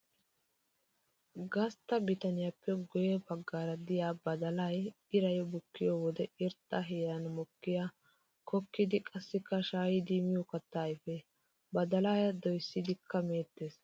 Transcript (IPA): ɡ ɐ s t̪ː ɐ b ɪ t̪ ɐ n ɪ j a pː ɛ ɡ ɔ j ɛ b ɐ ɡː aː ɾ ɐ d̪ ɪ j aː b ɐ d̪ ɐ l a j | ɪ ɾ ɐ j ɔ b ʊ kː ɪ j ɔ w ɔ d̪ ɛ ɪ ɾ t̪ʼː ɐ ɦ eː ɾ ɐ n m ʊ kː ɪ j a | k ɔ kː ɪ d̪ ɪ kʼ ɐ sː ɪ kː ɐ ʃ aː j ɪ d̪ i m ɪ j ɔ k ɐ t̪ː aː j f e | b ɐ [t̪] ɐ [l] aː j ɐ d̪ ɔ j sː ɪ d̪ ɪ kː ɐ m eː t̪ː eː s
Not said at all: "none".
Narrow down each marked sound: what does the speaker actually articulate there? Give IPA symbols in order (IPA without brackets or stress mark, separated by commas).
d̪, l